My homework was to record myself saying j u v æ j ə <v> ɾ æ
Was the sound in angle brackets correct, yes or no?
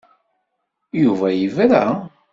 yes